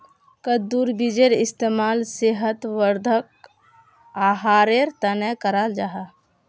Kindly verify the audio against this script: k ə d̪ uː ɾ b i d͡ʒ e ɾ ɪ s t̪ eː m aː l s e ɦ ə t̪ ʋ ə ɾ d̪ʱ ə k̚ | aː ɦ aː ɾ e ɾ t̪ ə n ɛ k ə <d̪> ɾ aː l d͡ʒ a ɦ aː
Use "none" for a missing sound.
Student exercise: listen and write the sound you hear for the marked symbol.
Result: none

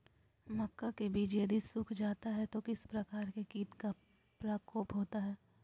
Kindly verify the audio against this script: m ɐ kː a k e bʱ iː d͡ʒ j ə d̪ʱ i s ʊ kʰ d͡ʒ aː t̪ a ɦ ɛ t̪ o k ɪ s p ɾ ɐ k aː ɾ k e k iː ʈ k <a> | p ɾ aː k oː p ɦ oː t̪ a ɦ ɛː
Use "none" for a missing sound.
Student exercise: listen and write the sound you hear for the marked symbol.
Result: a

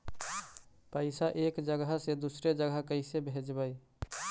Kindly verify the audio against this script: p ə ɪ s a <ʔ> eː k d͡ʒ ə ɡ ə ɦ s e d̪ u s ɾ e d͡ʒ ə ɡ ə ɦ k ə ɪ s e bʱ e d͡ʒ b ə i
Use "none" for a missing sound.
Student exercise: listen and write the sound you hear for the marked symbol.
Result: ʔ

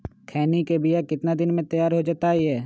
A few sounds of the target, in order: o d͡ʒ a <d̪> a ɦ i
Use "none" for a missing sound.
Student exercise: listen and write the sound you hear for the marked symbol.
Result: t̪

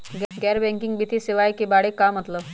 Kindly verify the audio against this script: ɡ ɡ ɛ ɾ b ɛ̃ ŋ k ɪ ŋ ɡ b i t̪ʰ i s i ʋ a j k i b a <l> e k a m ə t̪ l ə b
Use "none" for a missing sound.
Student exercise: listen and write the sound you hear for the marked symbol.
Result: ɽ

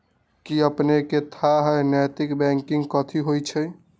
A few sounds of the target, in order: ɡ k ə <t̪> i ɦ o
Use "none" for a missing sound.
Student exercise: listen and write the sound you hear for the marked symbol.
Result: t̪ʰ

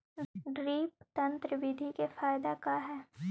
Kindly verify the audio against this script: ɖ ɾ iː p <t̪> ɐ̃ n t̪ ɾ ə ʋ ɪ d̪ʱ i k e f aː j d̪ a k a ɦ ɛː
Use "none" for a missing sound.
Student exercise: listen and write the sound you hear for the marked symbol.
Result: t̪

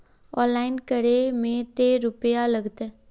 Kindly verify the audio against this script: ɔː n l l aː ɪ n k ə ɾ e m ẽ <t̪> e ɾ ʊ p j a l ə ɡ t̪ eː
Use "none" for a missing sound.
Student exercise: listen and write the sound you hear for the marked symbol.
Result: t̪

